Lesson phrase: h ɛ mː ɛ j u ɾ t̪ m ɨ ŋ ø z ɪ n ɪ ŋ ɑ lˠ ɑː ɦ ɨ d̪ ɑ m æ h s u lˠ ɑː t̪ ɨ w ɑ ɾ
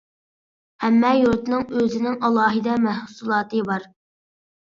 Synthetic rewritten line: h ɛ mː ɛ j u ɾ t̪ n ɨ ŋ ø z ɪ n ɪ ŋ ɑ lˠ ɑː ɦ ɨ d̪ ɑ m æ h s u lˠ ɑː t̪ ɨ b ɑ ɾ